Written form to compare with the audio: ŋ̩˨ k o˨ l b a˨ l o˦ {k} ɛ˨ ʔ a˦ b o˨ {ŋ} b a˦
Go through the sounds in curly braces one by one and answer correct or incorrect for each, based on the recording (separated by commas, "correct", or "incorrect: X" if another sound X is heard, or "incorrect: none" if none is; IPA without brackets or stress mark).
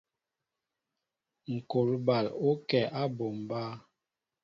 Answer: correct, incorrect: m